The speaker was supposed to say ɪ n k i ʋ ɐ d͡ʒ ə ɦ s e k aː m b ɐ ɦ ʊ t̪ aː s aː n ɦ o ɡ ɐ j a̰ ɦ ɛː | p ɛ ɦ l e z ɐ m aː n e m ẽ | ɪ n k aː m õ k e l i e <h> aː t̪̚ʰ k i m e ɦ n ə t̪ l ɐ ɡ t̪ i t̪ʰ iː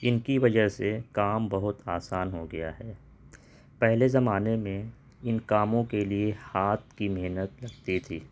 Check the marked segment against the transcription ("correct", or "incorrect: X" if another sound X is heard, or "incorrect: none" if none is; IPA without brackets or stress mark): correct